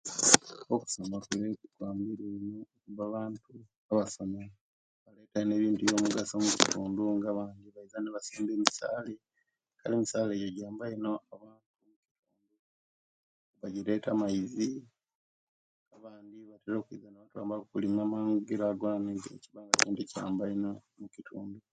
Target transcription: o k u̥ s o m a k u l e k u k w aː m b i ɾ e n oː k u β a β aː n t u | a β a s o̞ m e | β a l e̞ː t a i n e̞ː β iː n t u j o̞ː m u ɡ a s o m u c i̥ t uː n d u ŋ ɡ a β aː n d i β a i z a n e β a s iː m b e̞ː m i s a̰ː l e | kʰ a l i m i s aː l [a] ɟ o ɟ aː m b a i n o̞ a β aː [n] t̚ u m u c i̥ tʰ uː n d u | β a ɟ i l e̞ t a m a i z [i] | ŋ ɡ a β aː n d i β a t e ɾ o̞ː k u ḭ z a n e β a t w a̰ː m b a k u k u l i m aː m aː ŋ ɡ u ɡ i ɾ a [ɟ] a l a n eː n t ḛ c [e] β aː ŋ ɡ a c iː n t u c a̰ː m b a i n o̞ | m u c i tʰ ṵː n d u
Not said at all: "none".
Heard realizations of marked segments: e, n, i, ɡ, i

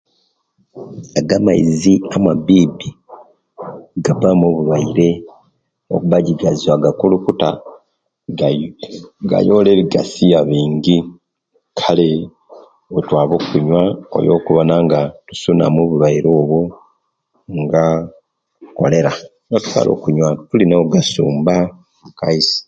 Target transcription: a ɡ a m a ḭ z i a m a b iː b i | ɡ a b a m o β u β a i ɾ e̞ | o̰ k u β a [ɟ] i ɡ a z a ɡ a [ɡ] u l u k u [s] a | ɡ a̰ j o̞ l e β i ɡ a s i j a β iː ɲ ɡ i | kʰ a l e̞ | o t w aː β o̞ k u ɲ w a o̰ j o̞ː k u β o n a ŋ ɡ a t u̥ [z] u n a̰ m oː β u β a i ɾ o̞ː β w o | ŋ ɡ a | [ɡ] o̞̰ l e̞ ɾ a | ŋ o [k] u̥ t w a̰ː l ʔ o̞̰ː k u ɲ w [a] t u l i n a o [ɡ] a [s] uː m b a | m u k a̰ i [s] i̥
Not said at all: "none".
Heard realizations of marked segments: ɟ, k, t, s, k, t, a, ɡ, s, s

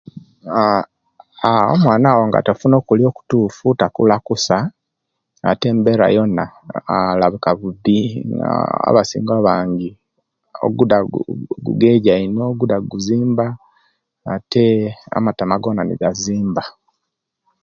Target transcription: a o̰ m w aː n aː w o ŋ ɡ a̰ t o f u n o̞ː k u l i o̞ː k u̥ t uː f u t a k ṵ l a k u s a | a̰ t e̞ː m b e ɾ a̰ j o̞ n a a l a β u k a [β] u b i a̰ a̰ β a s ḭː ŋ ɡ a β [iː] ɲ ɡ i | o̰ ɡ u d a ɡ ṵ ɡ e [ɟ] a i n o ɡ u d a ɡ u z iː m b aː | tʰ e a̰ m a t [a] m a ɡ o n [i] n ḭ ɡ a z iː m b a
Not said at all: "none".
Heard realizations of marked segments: β, aː, ɟ, a, a

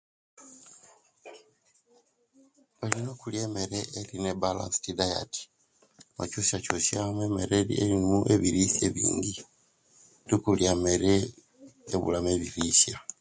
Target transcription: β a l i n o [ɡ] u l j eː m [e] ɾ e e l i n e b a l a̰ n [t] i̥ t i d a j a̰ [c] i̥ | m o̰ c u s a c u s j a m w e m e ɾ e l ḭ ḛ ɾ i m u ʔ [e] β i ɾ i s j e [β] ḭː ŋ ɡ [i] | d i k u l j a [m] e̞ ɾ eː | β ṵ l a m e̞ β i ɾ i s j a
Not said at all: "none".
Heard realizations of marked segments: k, e, s, t, e, β, i, m

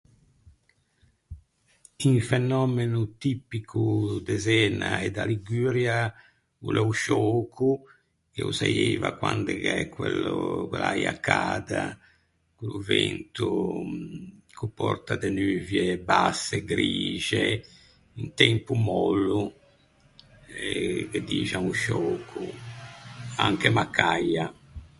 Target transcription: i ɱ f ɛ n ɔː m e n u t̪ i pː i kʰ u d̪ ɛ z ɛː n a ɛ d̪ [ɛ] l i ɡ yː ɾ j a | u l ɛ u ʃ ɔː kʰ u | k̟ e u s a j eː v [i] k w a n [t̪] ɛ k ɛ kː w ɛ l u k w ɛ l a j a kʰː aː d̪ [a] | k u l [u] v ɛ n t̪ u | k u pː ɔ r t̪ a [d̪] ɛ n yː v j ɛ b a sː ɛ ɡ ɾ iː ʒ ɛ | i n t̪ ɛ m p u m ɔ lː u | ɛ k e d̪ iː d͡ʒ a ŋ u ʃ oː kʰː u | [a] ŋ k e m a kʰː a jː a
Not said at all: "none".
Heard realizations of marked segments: a, a, d̪, a, u, d̪, a

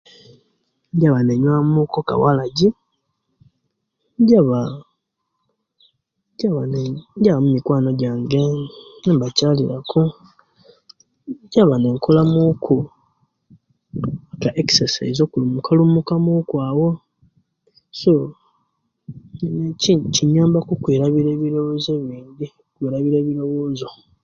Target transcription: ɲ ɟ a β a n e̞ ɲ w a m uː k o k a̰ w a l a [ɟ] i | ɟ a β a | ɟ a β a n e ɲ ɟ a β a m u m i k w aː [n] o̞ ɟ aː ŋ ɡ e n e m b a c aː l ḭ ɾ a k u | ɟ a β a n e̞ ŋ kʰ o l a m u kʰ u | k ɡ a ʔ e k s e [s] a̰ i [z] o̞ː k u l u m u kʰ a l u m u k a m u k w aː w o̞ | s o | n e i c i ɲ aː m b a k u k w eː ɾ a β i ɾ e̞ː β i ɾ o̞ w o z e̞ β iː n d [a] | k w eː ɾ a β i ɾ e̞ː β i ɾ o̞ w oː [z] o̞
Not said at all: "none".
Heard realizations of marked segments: ɟ, n, s, z, i, z

